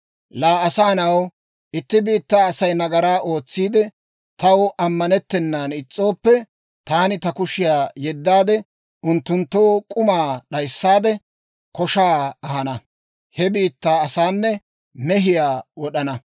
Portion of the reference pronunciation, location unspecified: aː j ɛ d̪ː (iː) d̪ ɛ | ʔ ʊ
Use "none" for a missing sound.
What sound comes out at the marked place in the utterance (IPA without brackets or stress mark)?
aː